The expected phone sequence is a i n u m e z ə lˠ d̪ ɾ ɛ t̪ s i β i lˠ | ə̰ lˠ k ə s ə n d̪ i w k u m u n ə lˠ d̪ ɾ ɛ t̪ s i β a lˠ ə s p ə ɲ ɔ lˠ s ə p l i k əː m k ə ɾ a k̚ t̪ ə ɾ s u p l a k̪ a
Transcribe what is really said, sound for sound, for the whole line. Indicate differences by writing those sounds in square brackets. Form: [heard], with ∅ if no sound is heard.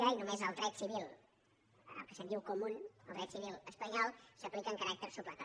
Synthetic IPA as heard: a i n u m e z ə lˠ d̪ ɾ ɛ t̪ s i β i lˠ | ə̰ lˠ k ə s ə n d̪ i w k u m u n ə lˠ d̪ ɾ ɛ t̪ s i β [i] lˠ ə s p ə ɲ ɔ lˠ s ə p l i k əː [ŋ] k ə ɾ a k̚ t̪ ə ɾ s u p l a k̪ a